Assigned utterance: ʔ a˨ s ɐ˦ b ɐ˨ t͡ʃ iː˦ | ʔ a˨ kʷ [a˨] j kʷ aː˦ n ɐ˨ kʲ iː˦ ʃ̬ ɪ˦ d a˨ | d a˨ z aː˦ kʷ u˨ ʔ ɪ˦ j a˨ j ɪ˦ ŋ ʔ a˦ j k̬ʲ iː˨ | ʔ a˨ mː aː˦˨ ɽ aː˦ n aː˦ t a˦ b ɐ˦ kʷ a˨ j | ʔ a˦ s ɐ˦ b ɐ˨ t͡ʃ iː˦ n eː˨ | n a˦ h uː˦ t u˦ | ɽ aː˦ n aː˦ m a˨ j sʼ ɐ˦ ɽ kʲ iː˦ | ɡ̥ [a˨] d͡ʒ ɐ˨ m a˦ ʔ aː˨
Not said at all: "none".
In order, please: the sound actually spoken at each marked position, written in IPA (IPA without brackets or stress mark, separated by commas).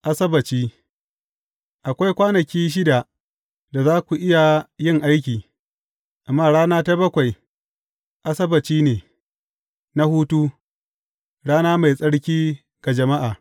a˦, a˨